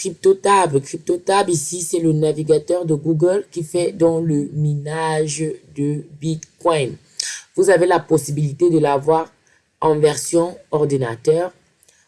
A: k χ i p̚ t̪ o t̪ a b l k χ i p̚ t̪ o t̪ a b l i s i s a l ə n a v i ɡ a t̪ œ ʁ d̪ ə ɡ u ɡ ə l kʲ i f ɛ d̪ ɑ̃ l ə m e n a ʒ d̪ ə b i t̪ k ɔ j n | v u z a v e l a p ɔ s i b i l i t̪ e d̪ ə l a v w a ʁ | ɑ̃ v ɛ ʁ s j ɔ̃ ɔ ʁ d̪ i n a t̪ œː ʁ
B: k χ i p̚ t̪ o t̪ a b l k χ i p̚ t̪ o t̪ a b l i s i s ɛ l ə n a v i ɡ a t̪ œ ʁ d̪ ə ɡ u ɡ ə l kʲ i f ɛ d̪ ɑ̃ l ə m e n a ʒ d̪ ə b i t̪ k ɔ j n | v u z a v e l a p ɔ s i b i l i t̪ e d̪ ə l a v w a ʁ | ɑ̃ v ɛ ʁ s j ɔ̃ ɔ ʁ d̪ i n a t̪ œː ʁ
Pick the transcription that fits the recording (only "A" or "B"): B